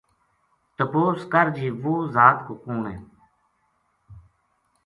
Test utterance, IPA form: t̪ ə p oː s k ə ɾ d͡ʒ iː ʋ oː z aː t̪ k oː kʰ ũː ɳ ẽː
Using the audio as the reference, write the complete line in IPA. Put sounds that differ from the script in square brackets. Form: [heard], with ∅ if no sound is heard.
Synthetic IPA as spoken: t̪ ə p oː s k ə ɾ d͡ʒ iː ʋ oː z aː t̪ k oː [k] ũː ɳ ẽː

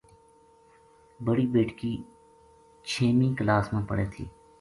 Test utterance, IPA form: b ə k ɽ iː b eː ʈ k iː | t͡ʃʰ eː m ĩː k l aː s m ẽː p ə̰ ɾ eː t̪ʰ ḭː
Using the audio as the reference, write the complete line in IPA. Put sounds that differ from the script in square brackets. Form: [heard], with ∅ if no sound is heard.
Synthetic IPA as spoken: b ə [∅] ɽ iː b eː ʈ k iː | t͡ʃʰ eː m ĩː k l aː s m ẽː p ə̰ [ɽ] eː t̪ʰ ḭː

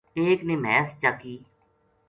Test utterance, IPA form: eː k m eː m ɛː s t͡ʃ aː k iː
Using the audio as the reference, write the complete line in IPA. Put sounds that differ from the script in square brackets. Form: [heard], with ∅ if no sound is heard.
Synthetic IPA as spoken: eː k [n] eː m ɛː s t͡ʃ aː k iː

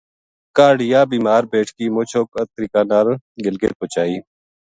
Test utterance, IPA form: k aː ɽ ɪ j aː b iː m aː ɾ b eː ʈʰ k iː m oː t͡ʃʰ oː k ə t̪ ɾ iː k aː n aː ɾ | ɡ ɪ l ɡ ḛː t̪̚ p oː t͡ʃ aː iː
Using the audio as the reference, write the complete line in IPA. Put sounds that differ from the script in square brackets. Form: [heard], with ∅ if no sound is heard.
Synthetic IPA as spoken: k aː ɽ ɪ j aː b iː m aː ɾ b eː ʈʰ k iː m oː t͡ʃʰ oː k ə t̪ ɾ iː k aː n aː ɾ | ɡ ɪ l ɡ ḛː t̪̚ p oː t͡ʃ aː iː

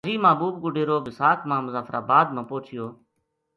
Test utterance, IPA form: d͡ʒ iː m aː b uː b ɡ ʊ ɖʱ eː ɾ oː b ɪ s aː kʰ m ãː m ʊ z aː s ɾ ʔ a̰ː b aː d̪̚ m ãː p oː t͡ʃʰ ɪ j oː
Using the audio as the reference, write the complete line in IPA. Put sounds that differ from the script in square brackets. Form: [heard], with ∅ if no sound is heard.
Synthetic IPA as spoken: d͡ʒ iː m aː b uː b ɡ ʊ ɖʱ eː ɾ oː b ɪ s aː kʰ m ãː m ʊ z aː [f] ɾ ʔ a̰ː b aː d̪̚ m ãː p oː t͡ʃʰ ɪ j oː

